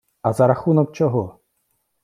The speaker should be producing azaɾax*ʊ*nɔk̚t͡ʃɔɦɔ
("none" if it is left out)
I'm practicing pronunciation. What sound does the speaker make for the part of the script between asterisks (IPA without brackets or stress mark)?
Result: u